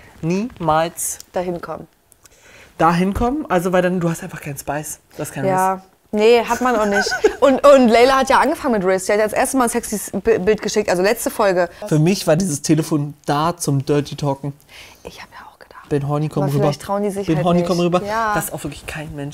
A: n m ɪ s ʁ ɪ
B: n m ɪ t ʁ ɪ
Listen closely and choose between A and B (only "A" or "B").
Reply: B